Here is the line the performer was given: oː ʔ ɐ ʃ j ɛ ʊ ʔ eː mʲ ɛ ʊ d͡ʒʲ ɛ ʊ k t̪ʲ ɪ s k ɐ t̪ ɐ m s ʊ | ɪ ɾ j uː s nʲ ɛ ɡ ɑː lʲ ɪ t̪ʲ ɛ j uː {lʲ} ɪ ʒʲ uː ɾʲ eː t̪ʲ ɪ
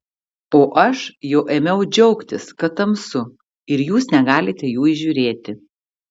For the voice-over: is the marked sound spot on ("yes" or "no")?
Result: no